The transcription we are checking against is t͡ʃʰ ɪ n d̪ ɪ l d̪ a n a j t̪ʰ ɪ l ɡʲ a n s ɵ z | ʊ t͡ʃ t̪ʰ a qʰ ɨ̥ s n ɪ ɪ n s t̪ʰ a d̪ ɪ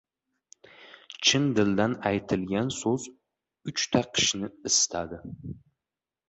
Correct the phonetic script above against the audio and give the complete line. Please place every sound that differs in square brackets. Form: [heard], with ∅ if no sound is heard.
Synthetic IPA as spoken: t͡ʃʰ ɪ n d̪ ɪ l d̪ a n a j t̪ʰ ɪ l ɡʲ a n s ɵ z | ʊ t͡ʃ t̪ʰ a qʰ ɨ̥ [ʃ] n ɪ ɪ [∅] s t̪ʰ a d̪ ɪ